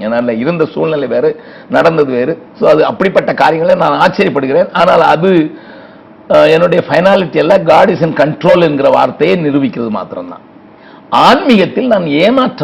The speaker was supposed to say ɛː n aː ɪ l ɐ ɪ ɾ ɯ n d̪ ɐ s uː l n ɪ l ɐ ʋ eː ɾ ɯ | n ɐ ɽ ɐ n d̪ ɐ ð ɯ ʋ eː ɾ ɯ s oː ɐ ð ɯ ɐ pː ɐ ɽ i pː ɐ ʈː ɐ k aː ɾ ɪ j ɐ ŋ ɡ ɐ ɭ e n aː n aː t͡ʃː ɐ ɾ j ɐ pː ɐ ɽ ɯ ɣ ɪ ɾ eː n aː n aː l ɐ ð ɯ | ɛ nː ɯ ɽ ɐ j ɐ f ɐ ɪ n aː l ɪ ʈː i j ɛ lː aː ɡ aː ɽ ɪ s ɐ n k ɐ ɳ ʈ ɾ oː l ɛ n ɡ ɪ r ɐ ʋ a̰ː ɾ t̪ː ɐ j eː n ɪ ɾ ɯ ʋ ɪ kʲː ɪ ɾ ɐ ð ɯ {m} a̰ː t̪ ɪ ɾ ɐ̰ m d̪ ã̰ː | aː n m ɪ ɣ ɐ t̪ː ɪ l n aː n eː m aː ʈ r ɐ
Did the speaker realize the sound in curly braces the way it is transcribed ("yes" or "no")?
yes